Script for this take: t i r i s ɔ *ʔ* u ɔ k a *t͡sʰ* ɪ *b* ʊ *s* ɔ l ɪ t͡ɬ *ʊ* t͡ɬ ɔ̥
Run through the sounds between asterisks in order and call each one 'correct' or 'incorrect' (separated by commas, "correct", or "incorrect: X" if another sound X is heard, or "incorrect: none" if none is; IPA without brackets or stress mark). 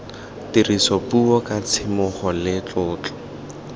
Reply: incorrect: p, correct, incorrect: m, incorrect: χ, incorrect: ʊː